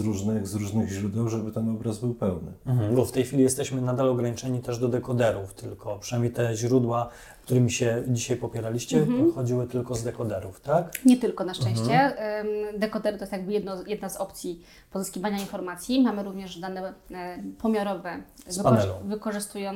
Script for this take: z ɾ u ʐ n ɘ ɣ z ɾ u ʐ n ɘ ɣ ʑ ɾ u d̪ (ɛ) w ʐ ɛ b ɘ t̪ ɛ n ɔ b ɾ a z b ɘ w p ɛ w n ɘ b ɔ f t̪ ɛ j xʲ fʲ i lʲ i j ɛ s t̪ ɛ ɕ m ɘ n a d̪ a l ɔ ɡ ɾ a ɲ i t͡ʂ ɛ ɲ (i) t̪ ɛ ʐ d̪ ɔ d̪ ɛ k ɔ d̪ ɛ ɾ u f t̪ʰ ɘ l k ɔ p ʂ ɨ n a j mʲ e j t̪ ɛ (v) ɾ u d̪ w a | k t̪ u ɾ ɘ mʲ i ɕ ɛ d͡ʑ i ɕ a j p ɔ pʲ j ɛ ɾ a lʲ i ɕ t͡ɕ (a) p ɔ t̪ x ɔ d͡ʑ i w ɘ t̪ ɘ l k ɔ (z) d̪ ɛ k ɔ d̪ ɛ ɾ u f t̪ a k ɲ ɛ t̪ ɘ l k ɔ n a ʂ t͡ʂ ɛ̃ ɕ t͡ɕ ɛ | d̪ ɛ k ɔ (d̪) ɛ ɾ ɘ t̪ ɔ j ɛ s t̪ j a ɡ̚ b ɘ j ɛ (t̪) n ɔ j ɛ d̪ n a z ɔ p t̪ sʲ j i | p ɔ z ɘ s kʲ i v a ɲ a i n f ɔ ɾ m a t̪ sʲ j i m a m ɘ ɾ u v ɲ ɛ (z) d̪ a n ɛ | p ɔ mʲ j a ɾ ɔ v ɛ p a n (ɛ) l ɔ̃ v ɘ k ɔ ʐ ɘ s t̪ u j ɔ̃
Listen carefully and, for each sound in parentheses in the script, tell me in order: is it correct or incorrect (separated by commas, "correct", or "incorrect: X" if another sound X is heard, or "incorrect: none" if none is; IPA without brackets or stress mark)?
correct, correct, incorrect: ʑ, incorrect: ɛ, correct, correct, incorrect: d̪, incorrect: ʐ, correct